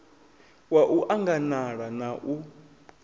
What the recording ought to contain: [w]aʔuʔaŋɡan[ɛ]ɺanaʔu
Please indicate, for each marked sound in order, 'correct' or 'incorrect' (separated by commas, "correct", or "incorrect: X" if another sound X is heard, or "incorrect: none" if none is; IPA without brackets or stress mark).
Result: correct, incorrect: a